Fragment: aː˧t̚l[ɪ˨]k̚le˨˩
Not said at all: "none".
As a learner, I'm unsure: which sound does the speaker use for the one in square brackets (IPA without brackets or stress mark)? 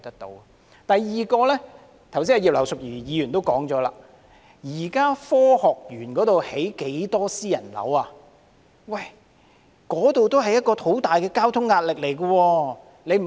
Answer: ɪ˨